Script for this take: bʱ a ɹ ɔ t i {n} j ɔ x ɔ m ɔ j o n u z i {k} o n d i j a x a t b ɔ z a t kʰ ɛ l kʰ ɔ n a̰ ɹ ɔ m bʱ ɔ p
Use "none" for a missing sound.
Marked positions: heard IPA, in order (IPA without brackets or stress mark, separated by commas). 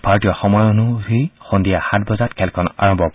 none, x